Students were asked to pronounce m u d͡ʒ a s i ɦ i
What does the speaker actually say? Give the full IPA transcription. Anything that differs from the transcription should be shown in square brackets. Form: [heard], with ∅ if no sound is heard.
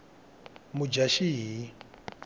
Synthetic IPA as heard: m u d͡ʒ a [ʃ] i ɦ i